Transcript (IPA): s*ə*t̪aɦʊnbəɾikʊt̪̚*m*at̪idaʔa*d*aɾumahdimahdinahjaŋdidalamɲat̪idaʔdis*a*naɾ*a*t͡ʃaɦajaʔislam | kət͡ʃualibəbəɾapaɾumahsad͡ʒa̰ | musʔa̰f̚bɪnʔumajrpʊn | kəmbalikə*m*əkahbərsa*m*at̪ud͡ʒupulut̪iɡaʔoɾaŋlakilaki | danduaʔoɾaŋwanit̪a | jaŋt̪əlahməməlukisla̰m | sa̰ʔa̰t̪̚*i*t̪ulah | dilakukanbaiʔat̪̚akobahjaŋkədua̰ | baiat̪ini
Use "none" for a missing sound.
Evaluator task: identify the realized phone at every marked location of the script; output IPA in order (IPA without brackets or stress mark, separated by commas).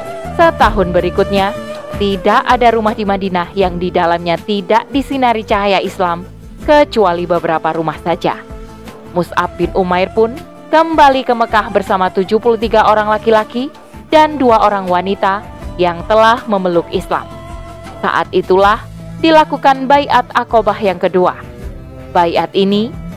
ə, ɲ, d, i, i, m, m, i